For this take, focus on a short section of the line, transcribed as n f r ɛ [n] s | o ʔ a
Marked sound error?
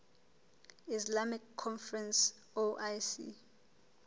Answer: no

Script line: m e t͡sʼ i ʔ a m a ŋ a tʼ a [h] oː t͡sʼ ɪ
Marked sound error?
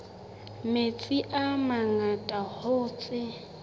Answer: no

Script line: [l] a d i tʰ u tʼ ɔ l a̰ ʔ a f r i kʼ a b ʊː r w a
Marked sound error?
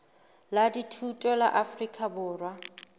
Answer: no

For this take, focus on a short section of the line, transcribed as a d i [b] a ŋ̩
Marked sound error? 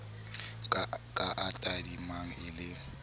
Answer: yes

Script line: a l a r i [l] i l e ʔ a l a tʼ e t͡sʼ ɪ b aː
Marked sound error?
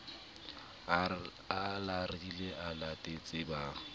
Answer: yes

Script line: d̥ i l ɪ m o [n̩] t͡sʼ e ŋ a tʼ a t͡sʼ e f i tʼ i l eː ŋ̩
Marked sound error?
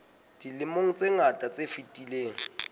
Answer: yes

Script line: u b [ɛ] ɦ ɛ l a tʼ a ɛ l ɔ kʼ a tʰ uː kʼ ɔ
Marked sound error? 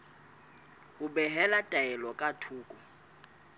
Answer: no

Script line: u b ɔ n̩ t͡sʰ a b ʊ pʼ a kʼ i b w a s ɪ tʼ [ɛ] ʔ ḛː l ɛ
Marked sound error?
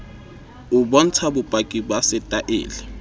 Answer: yes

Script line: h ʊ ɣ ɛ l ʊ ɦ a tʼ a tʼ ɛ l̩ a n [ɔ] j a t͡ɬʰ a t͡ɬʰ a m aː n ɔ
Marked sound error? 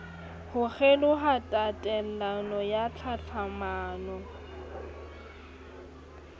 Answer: no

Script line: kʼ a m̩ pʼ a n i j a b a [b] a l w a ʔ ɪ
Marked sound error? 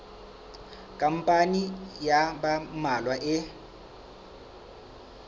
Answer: yes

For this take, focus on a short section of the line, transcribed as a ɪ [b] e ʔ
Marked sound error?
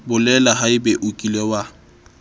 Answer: no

